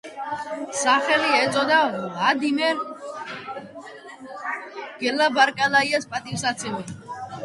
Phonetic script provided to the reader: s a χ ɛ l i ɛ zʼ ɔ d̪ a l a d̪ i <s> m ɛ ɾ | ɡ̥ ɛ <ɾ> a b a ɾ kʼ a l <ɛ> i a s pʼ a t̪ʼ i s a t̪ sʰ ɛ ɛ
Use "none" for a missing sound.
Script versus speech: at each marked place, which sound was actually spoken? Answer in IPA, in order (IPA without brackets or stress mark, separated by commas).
none, l, a